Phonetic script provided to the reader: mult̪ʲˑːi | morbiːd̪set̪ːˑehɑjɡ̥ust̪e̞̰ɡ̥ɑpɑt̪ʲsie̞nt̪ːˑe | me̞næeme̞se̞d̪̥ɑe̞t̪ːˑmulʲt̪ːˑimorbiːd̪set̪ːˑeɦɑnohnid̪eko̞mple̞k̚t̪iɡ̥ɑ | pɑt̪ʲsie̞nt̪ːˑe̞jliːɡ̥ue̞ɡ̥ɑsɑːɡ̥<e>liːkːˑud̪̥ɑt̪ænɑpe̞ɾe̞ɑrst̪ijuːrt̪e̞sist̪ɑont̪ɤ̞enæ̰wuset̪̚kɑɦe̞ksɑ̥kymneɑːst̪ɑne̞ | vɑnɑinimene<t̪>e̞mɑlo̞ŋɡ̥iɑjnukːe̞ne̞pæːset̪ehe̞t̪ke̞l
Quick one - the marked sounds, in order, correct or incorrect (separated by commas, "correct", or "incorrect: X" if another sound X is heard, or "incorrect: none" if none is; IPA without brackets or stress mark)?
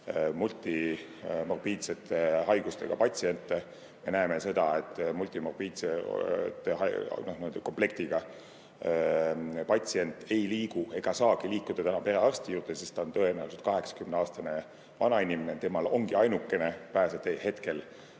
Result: incorrect: i, correct